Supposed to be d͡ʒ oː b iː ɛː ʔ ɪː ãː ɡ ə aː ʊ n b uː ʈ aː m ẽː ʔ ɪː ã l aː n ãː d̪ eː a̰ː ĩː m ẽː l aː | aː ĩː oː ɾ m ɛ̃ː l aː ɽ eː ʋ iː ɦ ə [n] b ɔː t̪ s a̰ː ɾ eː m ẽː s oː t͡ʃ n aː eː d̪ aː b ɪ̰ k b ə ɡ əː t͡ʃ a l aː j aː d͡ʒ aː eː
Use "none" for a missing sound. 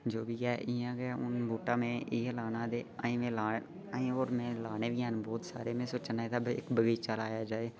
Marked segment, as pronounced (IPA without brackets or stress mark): n